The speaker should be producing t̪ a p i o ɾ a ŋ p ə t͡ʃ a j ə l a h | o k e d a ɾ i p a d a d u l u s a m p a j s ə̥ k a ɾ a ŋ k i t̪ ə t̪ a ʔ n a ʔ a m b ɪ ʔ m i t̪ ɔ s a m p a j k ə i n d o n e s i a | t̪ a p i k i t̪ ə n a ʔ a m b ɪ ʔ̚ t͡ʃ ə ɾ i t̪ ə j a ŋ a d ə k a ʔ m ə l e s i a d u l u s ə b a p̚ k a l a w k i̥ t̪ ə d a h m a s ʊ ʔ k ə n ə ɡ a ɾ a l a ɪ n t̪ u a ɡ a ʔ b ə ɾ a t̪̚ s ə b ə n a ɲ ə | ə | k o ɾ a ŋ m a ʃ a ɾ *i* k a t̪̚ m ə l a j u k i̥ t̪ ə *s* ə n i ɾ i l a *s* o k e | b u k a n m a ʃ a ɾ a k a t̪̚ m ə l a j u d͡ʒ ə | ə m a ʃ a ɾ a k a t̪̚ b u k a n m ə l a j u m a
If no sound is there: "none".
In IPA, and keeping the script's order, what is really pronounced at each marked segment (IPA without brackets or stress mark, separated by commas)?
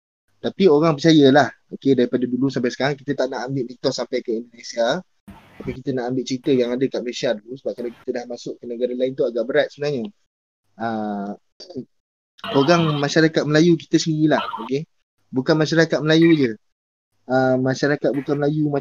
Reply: a, s, h